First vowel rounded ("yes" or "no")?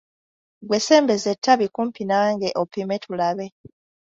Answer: no